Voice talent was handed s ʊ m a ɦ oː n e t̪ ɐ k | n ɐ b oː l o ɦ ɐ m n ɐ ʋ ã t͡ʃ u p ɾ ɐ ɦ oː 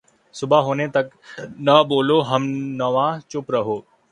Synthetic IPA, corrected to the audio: s ʊ b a ɦ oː n e t̪ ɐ k | n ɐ b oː l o ɦ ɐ m n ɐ ʋ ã t͡ʃ ʊ p ɾ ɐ ɦ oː